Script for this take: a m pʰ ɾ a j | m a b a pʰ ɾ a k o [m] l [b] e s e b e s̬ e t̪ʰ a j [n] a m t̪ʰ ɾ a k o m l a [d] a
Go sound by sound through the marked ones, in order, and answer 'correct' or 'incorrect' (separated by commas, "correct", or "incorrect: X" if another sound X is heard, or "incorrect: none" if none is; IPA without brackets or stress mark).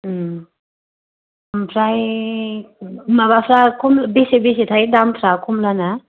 correct, correct, incorrect: d, incorrect: n